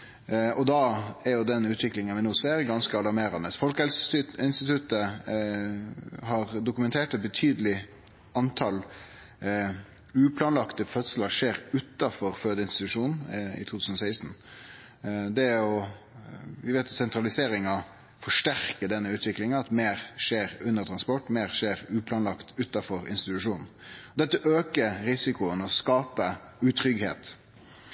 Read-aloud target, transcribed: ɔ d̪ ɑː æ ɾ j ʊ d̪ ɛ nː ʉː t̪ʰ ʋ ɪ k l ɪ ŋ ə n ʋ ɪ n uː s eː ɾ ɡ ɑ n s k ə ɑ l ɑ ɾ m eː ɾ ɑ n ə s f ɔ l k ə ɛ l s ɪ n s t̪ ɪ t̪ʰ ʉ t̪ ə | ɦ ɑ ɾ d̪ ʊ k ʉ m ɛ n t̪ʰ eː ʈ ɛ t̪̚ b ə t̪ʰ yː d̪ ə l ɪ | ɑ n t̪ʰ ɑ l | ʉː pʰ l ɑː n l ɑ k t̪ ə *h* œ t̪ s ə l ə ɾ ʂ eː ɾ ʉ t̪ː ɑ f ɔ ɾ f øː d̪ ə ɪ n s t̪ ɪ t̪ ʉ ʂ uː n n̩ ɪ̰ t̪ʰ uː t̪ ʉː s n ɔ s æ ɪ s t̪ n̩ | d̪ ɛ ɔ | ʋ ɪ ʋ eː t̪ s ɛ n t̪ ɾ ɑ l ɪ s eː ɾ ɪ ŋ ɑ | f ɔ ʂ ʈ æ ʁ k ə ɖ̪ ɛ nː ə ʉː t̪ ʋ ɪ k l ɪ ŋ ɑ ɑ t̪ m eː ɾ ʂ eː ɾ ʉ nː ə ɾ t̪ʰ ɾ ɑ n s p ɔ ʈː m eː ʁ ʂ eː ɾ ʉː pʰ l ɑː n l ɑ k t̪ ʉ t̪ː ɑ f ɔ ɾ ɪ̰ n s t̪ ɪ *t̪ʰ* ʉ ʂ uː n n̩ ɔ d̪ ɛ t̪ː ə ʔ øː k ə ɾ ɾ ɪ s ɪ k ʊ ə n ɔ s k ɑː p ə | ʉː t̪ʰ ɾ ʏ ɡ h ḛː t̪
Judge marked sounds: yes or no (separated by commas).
no, no